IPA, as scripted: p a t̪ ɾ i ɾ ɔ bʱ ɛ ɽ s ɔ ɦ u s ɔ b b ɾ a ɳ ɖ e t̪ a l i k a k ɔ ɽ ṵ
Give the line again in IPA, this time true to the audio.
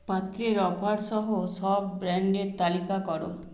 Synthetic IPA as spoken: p a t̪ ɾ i ɾ ɔ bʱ a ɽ s ɔ ɦ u s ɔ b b ɾ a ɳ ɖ e t̪ a l i k a k ɔ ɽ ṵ

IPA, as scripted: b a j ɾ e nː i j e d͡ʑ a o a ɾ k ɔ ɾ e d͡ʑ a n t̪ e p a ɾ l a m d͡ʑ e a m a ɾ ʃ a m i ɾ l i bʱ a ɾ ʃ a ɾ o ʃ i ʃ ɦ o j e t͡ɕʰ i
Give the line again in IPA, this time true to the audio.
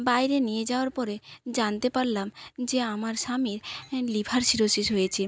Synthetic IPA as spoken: b a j ɾ e n i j e d͡ʑ a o a ɾ p ɔ ɾ e d͡ʑ a n t̪ e p a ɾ l a m d͡ʑ e a m a ɾ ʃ a m i ɾ l i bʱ a ɾ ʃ i ɾ o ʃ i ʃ ɦ o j e t͡ɕʰ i

